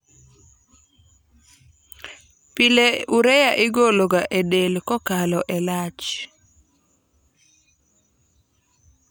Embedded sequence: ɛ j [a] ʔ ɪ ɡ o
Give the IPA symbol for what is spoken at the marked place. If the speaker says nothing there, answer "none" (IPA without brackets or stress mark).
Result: a